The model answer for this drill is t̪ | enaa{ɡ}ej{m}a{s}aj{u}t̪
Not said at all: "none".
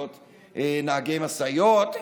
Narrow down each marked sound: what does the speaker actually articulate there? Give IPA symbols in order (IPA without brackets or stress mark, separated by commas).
ɡ, m, s, o